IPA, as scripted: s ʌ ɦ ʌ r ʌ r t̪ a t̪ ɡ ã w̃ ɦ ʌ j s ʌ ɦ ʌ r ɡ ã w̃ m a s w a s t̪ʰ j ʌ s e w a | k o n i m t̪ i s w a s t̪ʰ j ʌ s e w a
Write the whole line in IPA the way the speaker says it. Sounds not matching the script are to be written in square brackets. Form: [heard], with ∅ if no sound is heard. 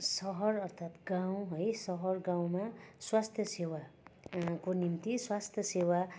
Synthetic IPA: s ʌ ɦ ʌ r ʌ r [t̪ʰ] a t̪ ɡ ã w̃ ɦ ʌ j s ʌ ɦ ʌ r ɡ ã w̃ m a s w a s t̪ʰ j ʌ s e w a | k o n i m t̪ i s w a s t̪ʰ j ʌ s e w a